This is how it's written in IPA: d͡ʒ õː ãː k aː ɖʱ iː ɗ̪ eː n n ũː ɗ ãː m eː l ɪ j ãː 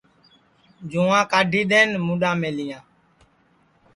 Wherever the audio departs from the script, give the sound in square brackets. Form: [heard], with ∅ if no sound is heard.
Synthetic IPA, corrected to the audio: d͡ʒ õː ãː k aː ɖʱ iː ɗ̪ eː n [m] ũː ɗ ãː m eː l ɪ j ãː